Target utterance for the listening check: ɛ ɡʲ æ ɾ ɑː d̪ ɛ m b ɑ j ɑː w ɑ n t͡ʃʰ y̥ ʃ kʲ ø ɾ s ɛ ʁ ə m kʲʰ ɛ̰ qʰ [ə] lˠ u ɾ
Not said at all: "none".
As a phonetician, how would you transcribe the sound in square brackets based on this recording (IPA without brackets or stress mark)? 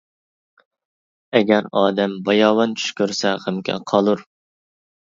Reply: ɑ